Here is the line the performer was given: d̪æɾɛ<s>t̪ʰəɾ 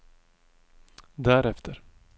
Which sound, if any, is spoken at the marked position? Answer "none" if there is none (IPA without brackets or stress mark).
f